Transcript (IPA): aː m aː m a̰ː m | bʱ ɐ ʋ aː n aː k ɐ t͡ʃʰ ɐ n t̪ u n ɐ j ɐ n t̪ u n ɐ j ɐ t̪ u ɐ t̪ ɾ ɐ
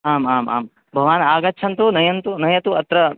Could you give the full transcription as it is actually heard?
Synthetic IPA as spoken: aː m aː m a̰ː m | bʱ ɐ ʋ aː n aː ɡ ɐ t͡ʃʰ ɐ n t̪ u n ɐ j ɐ n t̪ u n ɐ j ɐ t̪ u ɐ t̪ ɾ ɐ